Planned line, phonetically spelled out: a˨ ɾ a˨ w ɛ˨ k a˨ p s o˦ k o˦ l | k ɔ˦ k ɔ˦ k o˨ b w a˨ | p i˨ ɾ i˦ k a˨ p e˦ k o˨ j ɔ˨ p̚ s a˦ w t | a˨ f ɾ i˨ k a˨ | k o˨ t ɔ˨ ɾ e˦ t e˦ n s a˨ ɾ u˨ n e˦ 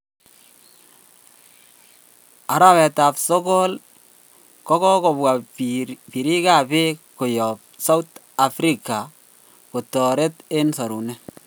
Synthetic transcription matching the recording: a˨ ɾ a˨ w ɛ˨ t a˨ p s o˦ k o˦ l | k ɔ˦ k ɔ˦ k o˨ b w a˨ | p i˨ ɾ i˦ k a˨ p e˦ k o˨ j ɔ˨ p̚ s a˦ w t | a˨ f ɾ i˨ k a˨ | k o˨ t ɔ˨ ɾ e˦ t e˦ n s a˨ ɾ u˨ n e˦